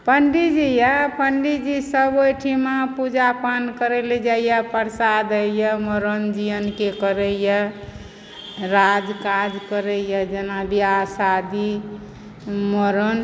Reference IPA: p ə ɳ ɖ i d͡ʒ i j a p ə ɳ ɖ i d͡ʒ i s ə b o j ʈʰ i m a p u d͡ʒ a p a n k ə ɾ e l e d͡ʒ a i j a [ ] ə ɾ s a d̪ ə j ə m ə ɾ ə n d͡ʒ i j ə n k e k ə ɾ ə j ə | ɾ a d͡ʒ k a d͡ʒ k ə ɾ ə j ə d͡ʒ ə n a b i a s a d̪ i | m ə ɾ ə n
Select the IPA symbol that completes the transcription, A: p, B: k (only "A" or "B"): A